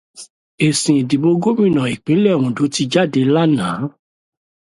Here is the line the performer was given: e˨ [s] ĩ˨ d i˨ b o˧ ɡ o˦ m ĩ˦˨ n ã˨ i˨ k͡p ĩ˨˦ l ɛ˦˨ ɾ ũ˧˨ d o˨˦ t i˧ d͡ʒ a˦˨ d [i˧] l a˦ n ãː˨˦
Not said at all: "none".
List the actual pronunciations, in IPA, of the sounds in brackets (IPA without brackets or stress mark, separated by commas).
s, e˧